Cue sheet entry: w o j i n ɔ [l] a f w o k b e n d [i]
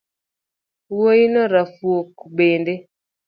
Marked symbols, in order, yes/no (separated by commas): no, no